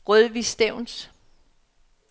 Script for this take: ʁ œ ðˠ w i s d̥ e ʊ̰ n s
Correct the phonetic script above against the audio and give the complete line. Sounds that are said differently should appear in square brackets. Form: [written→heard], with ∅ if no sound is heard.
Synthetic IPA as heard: ʁ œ ðˠ [w→ʋ] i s d̥ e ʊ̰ n s